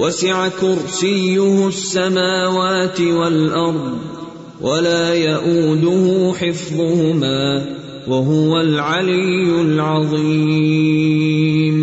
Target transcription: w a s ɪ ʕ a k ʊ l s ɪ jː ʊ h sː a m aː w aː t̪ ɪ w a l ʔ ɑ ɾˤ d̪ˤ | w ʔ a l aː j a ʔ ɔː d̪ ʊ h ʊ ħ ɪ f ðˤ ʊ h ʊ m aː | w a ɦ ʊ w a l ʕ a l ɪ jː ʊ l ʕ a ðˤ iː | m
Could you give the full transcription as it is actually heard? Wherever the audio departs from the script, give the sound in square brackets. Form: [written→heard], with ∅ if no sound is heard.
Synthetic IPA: w a s ɪ ʕ a k ʊ [l→ɾ] s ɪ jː ʊ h sː a m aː w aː t̪ ɪ w a l ʔ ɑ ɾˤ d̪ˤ | w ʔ a l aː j a ʔ [ɔː→uː] d̪ ʊ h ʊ ħ ɪ f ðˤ ʊ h ʊ m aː | w a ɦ ʊ w a l ʕ a l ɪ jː ʊ l ʕ [a→ɑ] ðˤ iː | m